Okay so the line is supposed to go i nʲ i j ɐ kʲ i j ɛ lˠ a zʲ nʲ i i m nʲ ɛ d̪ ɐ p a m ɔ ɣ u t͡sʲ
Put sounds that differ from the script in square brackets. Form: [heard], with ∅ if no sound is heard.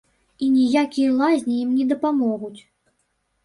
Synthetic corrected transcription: i nʲ i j [a] kʲ i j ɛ lˠ a zʲ nʲ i i m nʲ ɛ d̪ ɐ p a m ɔ ɣ u t͡sʲ